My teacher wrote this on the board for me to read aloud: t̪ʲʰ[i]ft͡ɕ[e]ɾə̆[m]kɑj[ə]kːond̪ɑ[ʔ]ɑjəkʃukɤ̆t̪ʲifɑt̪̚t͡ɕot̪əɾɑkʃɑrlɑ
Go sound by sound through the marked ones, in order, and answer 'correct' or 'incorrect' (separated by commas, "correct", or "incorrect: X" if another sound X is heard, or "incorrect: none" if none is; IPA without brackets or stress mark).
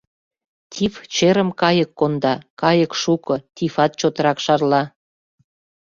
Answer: correct, correct, correct, correct, incorrect: k